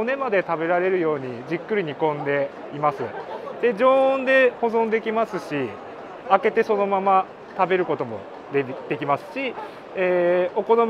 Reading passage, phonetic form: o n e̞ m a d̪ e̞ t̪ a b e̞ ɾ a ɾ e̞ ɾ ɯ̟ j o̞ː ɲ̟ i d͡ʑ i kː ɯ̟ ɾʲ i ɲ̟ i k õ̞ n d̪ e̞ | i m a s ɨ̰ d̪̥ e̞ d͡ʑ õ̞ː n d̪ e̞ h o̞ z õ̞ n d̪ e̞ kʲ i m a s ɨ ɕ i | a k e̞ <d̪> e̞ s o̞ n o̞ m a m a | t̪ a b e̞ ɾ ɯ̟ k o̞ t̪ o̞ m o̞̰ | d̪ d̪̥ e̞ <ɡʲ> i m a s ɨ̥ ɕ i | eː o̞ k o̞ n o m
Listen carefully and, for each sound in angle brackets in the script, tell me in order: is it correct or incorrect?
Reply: incorrect: t̪, incorrect: kʲ

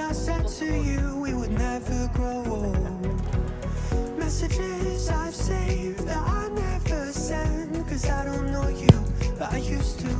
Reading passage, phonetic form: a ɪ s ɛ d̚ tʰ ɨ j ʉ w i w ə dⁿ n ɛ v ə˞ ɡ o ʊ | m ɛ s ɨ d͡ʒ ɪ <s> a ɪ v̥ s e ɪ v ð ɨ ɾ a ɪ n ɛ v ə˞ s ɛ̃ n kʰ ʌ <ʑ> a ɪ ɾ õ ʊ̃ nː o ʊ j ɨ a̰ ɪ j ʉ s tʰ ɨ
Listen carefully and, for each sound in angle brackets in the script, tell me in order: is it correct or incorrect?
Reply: incorrect: z, incorrect: z

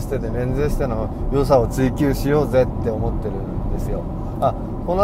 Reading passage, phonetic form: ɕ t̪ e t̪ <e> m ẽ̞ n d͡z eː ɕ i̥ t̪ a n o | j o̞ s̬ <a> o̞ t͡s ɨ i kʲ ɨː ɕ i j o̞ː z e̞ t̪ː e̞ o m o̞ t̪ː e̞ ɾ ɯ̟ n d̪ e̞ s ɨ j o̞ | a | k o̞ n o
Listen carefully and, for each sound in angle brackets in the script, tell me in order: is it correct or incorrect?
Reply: correct, correct

